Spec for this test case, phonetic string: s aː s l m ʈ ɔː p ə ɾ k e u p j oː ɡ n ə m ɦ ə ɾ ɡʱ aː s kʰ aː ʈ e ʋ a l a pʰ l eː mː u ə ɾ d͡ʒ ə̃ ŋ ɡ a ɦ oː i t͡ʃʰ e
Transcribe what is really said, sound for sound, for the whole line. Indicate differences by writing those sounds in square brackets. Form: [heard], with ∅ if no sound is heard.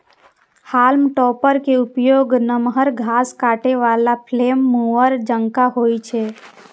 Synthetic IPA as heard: [h] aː [∅] l m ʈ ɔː p ə ɾ k e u p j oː ɡ n ə m ɦ ə ɾ ɡʱ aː s [k] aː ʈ e ʋ a l a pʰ l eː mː u ə ɾ d͡ʒ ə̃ ŋ [k] a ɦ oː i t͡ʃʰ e